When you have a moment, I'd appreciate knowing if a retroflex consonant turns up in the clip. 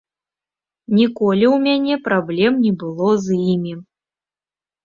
no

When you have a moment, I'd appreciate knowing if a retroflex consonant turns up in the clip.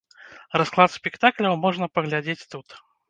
yes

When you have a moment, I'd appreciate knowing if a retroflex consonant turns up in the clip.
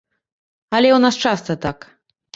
yes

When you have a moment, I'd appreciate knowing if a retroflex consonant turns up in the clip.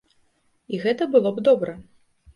no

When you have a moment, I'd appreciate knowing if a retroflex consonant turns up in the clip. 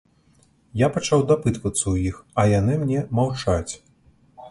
yes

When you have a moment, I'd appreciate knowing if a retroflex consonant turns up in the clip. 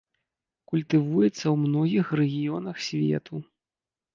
no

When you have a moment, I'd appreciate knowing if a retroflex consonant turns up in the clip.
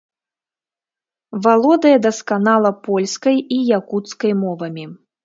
no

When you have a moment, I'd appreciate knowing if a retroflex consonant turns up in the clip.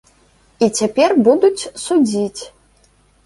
no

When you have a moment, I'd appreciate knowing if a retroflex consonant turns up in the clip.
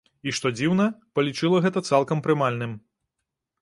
yes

